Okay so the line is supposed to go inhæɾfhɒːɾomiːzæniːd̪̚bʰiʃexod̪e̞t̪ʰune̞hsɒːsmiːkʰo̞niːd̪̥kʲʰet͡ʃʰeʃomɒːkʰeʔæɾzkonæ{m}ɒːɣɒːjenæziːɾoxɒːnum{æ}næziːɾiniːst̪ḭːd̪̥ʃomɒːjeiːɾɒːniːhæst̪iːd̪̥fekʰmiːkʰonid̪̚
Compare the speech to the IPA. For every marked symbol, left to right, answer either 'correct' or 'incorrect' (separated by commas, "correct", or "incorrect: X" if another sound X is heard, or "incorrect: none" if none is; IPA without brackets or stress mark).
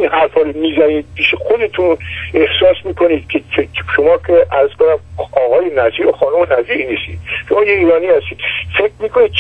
correct, incorrect: e